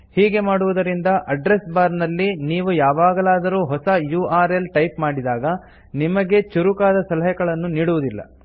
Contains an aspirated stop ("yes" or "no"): no